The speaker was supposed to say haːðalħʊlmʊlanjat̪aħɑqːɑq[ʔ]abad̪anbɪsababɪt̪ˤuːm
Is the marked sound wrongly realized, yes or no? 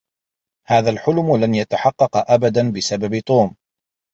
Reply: no